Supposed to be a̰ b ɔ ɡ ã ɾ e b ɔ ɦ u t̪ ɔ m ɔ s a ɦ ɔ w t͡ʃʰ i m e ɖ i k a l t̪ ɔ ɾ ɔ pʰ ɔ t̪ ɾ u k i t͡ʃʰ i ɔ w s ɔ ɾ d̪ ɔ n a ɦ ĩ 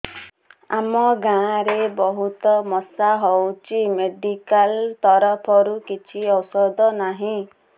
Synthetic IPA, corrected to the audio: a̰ m ɔ ɡ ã ɾ e b ɔ ɦ u t̪ ɔ m ɔ s a ɦ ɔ w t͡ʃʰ i m e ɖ i k a l t̪ ɔ ɾ ɔ pʰ ɔ ɾ u k i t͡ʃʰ i ɔ w s ɔ d̪ ɔ n a ɦ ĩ